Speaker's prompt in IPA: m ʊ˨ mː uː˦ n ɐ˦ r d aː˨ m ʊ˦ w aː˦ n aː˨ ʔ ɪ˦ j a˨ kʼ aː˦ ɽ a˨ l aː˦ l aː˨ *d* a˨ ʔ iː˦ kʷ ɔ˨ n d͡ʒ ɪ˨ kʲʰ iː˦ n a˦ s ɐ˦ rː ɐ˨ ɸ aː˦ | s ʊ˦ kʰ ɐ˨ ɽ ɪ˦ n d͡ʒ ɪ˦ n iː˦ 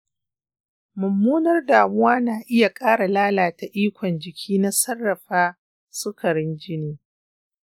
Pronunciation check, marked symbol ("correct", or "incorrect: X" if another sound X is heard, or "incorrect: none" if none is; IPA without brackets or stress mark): incorrect: t